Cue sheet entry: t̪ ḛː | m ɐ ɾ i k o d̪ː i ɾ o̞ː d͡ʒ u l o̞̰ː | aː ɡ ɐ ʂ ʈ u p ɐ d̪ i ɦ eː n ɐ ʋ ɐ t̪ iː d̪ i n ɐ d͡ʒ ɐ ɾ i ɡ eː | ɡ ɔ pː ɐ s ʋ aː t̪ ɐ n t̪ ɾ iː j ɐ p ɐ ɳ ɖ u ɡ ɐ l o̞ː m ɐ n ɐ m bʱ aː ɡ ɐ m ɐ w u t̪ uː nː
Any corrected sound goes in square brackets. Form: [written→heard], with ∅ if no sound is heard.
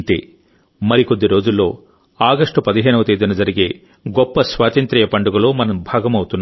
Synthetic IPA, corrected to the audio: t̪ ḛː | m ɐ ɾ i k o d̪ː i ɾ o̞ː d͡ʒ u [l→lː] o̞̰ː | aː ɡ ɐ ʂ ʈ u p ɐ d̪ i ɦ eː n ɐ ʋ ɐ t̪ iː d̪ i n ɐ d͡ʒ ɐ ɾ i ɡ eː | ɡ ɔ pː ɐ s ʋ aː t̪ ɐ n t̪ ɾ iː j ɐ p ɐ ɳ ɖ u ɡ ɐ l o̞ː m ɐ n ɐ m bʱ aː ɡ ɐ m ɐ w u t̪ [uː→u] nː